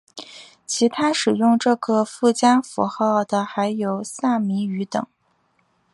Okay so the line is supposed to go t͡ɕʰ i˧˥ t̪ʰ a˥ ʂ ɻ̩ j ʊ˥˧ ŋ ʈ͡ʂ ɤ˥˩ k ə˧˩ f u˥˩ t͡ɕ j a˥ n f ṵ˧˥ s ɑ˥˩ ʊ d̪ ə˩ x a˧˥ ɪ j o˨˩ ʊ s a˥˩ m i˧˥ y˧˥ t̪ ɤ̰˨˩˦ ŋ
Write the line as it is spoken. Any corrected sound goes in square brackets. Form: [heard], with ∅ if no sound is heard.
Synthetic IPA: t͡ɕʰ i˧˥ t̪ʰ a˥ ʂ ɻ̩ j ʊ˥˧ ŋ ʈ͡ʂ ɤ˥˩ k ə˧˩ f u˥˩ t͡ɕ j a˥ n f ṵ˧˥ [x] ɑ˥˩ ʊ d̪ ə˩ x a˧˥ ɪ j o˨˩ ʊ s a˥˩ m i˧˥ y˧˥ t̪ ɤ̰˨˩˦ ŋ